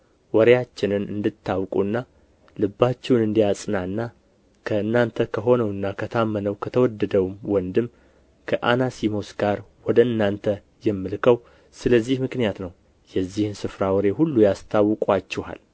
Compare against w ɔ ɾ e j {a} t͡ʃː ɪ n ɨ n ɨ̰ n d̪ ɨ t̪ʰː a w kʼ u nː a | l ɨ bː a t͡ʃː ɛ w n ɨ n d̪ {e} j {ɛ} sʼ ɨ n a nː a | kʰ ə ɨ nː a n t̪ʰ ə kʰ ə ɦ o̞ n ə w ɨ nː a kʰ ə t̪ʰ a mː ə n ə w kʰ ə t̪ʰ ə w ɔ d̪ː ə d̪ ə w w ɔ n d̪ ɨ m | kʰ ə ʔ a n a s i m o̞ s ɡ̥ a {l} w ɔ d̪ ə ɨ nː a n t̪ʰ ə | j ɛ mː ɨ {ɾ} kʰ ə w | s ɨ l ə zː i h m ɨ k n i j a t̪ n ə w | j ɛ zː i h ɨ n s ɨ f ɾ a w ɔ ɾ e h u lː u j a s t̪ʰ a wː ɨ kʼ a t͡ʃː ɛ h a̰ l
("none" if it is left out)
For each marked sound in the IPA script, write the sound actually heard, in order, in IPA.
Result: a, i, a, ɾ, l

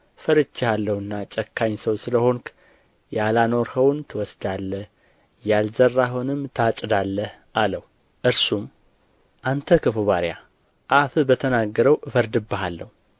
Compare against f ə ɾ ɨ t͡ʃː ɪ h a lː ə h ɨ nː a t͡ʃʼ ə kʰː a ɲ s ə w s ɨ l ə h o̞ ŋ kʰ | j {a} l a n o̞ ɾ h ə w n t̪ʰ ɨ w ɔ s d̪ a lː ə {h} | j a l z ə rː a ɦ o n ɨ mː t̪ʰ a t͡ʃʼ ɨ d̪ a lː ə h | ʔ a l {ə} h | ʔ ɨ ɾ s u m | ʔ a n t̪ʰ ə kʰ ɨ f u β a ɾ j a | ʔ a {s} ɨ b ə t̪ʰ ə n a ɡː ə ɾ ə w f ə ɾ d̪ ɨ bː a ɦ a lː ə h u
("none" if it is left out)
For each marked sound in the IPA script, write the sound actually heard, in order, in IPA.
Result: a, h, ə, f

